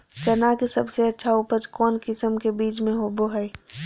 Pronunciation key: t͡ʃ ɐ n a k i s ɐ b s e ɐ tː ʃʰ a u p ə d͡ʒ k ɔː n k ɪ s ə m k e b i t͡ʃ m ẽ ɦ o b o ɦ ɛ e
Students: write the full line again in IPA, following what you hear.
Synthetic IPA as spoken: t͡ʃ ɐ n a k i s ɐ b s e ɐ tː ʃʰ a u p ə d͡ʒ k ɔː n k ɪ s ə m k e b iː t͡ʃ m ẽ ɦ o b o ɦ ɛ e